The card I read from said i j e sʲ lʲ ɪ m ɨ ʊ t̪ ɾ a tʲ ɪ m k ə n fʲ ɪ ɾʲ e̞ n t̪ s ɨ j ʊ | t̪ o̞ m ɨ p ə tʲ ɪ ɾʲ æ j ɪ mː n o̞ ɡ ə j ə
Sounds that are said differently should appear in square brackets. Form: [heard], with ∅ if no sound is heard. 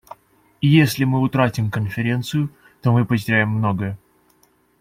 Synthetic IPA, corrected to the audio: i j e sʲ lʲ ɪ m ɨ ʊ t̪ ɾ a tʲ ɪ m k ə n fʲ ɪ ɾʲ e̞ n t̪ s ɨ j ʊ | t̪ o̞ m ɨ p ə tʲ ɪ ɾʲ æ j ɪ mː n o̞ ɡ ə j ə